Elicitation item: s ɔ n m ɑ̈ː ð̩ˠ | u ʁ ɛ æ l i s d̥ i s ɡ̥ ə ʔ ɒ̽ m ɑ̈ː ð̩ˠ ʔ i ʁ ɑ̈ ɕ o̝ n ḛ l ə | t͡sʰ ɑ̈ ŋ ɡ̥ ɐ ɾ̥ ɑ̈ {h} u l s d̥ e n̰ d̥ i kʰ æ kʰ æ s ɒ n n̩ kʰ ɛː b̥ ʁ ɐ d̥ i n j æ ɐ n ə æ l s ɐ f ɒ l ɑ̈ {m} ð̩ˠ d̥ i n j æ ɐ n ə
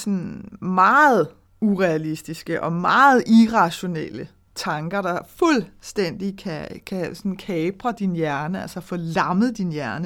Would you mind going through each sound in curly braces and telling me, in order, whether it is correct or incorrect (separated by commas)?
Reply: incorrect, correct